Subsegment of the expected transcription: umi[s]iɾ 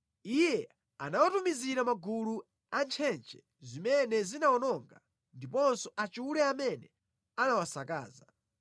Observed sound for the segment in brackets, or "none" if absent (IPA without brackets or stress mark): z